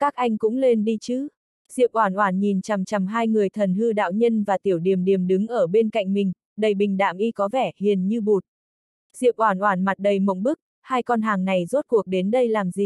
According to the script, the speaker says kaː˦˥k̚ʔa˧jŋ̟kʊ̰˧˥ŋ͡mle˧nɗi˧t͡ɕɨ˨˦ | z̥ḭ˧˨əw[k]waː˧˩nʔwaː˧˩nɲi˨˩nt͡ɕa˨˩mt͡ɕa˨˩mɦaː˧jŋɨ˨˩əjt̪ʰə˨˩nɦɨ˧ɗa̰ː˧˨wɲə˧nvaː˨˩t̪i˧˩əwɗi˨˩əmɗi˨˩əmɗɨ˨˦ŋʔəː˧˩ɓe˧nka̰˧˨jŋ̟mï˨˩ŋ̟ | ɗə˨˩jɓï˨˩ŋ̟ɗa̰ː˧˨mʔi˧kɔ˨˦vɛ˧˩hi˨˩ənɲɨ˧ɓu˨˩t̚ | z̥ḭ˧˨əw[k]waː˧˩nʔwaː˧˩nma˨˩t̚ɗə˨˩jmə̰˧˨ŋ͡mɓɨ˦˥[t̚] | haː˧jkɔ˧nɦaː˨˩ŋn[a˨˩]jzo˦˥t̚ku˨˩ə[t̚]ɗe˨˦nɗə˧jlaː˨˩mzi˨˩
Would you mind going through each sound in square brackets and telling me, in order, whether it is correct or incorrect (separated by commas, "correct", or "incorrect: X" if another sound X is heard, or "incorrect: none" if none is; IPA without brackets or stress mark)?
incorrect: ʔ, incorrect: ʔ, incorrect: k̚, correct, incorrect: k̚